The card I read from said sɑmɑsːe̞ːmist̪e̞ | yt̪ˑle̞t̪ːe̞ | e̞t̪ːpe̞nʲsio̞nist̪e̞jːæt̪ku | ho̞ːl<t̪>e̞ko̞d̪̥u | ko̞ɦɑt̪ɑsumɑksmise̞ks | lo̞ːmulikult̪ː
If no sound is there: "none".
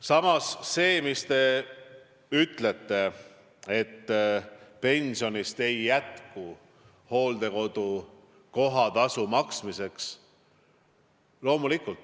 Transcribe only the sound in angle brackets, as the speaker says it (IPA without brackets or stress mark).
d̪